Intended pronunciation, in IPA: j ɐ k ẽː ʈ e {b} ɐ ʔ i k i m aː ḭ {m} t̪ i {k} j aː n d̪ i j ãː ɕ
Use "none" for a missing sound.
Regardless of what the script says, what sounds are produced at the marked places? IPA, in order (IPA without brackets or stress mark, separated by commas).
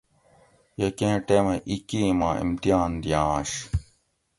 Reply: m, m, none